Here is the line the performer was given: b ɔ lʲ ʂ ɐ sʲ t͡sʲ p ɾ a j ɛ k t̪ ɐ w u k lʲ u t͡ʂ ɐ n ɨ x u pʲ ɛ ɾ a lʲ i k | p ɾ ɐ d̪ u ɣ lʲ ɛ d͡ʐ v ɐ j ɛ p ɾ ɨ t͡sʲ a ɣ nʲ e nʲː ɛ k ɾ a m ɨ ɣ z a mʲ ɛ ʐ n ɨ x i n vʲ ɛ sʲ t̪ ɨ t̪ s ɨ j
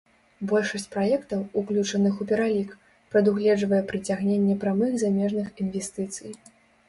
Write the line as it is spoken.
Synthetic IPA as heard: b ɔ lʲ ʂ ɐ sʲ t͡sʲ p ɾ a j ɛ k t̪ ɐ w u k lʲ u t͡ʂ ɐ n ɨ x u pʲ ɛ ɾ a lʲ i k | p ɾ ɐ d̪ u ɣ lʲ ɛ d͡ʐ v ɐ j ɛ p ɾ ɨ t͡sʲ a ɣ nʲ e nʲː ɛ p ɾ a m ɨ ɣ z a mʲ ɛ ʐ n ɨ x i n vʲ ɛ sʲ t̪ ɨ t̪ s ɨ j